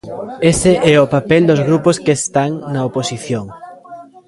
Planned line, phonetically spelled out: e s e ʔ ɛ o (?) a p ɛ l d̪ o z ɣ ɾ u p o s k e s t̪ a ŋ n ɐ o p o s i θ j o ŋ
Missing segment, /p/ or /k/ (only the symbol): p